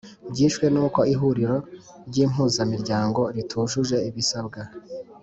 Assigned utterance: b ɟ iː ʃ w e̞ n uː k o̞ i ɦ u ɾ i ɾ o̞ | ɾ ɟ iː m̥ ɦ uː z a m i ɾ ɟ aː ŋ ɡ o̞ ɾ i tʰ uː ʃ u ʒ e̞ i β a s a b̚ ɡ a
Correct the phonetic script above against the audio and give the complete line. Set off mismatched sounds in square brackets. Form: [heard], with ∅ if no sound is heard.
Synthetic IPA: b ɟ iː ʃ w e̞ n uː k o̞ i ɦ u ɾ i ɾ o̞ | ɾ ɟ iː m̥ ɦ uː z a m i ɾ ɟ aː ŋ ɡ o̞ ɾ i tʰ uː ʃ u ʒ e̞ i β [i] s a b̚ ɡ a